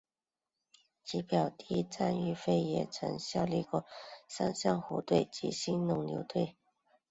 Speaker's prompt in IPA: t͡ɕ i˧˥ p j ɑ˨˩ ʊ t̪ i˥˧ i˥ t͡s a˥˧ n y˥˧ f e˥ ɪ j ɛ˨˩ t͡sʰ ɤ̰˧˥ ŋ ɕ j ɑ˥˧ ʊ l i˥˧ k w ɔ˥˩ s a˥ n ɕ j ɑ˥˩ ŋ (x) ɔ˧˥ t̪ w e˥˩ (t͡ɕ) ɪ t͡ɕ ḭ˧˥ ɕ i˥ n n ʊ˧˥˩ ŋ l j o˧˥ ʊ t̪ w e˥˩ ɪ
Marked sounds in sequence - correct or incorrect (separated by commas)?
correct, incorrect